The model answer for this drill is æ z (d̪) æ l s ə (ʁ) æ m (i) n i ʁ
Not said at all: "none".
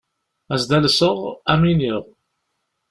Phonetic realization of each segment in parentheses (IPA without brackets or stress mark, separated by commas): d̪, ʁ, i